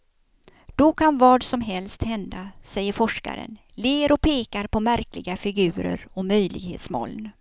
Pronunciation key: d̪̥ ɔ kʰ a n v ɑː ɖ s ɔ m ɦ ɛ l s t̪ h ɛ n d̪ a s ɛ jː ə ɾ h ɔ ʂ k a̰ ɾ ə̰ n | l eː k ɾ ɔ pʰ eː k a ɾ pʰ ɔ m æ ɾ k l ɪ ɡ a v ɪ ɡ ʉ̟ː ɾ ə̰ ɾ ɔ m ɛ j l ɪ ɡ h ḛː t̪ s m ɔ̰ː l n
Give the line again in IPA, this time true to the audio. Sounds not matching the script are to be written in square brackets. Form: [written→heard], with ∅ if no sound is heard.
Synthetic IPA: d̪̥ ɔ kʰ a n v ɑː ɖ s ɔ m ɦ ɛ l s t̪ h ɛ n d̪ a s ɛ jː ə ɾ [h→f] ɔ ʂ k a̰ ɾ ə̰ n | l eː [k→∅] ɾ ɔ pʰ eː k a ɾ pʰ ɔ m æ ɾ k l ɪ ɡ a [v→f] ɪ ɡ ʉ̟ː ɾ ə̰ ɾ ɔ m [ɛ→œ] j l ɪ ɡ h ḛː t̪ s m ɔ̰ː l n